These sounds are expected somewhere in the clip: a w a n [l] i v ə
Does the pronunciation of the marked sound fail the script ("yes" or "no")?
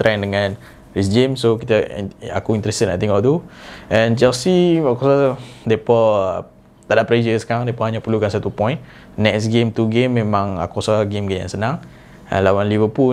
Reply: no